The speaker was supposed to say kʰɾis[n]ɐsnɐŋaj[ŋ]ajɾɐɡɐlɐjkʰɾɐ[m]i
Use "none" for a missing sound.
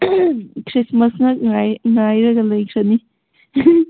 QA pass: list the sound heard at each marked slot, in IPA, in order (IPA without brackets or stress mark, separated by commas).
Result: m, ŋ, n